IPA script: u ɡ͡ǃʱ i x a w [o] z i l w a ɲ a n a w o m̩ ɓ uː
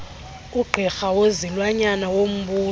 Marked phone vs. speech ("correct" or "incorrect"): correct